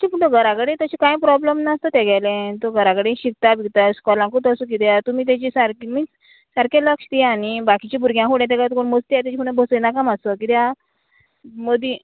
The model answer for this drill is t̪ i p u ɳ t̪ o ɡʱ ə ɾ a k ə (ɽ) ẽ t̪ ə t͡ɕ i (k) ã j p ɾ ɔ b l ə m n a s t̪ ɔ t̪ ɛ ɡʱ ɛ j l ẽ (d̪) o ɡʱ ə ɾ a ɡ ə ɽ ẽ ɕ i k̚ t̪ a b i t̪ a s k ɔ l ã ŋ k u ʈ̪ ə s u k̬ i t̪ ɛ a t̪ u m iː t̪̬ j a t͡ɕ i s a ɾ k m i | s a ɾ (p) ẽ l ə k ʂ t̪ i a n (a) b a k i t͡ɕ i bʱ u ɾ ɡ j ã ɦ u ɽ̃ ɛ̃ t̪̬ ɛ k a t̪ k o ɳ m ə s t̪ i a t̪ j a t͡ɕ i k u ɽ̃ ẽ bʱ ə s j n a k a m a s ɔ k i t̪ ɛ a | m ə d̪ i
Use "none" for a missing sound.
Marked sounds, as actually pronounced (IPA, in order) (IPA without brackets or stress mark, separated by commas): ɽ, k, t̪, k, i